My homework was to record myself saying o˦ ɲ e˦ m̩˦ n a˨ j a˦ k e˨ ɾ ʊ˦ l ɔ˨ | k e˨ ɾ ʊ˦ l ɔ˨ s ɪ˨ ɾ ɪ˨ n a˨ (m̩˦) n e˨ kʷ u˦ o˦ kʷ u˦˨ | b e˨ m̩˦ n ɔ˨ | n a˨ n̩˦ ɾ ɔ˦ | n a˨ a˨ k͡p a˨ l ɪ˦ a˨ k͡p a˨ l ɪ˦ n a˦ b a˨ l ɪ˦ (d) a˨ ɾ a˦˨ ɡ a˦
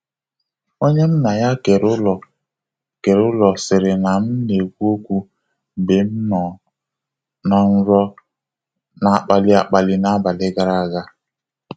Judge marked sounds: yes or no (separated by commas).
yes, no